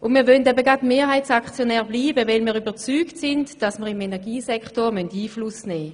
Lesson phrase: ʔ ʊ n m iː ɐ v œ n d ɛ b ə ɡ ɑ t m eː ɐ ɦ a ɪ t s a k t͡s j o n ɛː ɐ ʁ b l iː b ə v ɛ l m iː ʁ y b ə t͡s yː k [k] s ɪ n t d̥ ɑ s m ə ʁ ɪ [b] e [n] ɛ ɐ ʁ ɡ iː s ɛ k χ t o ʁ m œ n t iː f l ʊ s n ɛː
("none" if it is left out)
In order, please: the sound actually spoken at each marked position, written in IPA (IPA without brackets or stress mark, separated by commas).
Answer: t, m, n